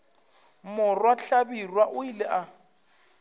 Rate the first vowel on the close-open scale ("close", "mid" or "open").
close